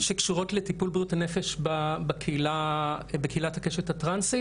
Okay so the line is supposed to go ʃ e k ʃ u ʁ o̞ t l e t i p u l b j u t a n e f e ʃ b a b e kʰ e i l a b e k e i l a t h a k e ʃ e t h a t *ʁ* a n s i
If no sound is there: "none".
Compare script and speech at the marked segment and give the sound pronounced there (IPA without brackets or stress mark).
ʁ